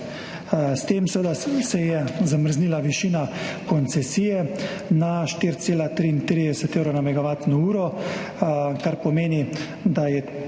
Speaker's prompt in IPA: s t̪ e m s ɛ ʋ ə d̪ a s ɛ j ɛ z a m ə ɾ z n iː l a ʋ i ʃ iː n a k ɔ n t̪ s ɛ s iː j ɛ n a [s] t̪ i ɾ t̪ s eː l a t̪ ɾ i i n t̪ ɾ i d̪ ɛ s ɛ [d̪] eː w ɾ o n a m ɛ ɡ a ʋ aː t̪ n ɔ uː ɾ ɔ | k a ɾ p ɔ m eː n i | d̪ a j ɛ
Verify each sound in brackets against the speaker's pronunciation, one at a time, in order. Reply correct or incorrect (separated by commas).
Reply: incorrect, incorrect